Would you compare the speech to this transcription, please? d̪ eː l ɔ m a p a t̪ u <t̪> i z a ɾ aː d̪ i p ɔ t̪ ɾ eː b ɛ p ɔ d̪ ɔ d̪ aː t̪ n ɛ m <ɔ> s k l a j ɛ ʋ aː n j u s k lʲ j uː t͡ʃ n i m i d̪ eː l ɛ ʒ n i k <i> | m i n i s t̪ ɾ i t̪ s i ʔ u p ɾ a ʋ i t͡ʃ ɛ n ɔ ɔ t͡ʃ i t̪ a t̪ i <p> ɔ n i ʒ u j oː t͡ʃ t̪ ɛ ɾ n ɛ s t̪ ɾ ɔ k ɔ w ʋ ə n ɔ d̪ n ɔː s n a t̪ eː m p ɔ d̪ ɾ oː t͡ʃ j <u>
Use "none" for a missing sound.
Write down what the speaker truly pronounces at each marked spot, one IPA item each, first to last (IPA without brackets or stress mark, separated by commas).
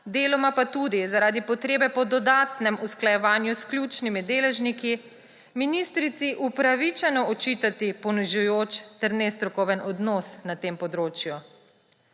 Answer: d̪, u, i, p, u